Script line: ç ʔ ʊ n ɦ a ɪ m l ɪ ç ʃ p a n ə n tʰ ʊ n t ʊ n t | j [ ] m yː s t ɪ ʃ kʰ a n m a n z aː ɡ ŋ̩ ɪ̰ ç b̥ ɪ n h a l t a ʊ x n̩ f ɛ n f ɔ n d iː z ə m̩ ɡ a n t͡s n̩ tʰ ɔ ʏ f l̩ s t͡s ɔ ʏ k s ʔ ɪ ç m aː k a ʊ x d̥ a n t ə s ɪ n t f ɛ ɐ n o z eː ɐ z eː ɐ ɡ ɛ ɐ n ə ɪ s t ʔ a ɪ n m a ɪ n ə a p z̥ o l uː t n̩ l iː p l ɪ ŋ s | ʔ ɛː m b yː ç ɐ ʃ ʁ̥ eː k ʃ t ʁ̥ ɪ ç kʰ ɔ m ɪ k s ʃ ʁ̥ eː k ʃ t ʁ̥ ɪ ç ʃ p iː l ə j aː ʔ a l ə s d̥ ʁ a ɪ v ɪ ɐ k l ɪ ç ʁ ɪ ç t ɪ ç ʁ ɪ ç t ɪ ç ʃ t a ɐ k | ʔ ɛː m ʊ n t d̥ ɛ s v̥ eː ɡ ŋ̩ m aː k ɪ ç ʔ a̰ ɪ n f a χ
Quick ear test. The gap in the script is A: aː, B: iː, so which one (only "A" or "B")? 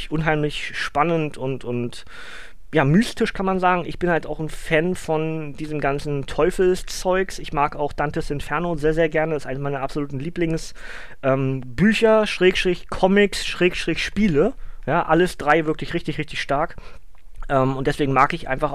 A